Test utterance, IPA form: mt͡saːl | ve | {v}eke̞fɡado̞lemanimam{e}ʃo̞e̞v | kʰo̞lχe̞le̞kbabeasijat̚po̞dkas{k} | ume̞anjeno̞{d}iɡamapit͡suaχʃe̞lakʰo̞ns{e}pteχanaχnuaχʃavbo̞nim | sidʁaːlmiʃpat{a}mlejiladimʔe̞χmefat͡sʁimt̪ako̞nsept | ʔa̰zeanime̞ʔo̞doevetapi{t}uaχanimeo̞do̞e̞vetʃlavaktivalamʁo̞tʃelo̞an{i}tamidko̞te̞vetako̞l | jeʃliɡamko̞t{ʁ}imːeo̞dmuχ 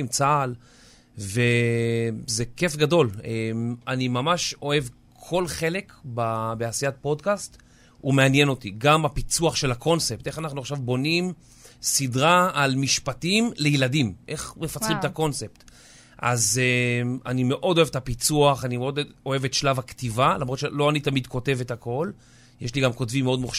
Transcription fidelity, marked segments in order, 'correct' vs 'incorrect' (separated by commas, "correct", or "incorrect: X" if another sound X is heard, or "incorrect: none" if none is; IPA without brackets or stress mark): incorrect: z, incorrect: a, incorrect: t, incorrect: t, correct, incorrect: i, incorrect: t͡s, correct, incorrect: v